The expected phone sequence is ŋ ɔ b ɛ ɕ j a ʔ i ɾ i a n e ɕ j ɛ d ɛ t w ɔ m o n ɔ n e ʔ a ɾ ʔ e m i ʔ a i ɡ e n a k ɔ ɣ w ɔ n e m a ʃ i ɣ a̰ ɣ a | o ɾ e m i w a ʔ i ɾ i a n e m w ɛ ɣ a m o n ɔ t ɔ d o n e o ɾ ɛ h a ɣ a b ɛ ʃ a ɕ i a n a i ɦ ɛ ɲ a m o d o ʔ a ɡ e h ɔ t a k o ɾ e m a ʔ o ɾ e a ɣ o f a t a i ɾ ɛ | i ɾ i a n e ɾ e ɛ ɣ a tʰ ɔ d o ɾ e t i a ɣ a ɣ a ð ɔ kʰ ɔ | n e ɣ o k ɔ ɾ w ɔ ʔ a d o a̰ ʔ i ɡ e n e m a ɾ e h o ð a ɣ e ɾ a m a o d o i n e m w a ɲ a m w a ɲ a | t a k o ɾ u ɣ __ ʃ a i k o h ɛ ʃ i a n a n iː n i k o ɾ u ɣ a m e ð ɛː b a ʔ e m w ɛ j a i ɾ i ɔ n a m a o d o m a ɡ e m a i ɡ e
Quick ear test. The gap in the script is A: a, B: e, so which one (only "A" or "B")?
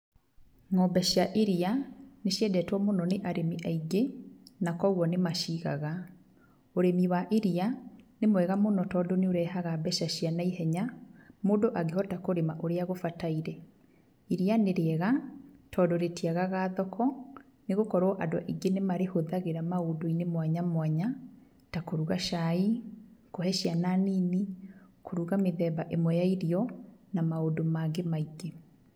A